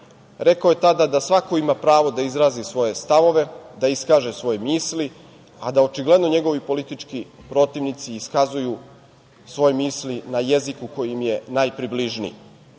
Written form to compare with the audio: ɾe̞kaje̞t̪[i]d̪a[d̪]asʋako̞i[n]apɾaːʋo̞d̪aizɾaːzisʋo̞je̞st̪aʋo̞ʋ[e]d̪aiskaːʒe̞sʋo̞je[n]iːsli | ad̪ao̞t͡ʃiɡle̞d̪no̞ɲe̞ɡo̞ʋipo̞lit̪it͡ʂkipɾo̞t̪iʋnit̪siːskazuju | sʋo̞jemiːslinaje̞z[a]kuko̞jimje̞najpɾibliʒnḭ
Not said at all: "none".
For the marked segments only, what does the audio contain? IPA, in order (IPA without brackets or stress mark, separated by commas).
a, d̪, m, e, m, i